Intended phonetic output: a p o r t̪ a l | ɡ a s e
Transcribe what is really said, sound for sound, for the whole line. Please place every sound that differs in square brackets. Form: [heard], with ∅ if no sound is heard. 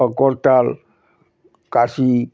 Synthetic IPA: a [k] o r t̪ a l | [k] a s [i]